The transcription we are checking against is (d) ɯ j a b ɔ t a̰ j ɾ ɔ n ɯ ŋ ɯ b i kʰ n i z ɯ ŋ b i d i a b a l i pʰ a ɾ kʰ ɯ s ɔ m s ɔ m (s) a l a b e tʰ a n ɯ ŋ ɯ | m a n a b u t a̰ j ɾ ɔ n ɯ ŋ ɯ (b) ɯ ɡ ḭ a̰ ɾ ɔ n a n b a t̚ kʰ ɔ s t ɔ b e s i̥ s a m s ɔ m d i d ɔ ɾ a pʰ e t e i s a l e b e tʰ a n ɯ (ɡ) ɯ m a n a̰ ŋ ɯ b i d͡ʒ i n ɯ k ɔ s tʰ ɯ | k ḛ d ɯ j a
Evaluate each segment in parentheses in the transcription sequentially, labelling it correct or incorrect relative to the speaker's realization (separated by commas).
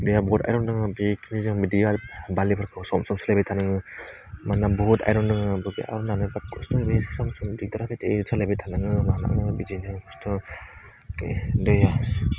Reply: correct, correct, correct, incorrect